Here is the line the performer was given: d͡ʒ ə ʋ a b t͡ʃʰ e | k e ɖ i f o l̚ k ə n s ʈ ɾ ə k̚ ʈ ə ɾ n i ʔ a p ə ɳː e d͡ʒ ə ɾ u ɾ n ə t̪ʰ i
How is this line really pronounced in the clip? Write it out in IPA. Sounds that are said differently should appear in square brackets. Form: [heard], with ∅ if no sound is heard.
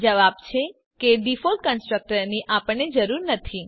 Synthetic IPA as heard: d͡ʒ ə ʋ a b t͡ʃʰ e | k e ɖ i f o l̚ k ə n s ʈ ɾ ə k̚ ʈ ə ɾ n i ʔ a p ə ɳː e d͡ʒ ə ɾ u ɾ n ə t̪ʰ i